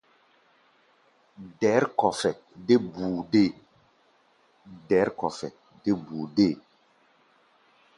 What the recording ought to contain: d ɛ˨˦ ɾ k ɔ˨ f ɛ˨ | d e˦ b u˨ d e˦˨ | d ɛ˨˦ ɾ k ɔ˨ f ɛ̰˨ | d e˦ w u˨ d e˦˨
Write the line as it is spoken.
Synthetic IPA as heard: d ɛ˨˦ ɾ k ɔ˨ f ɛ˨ | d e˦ b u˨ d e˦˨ | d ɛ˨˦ ɾ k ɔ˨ f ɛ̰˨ | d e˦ b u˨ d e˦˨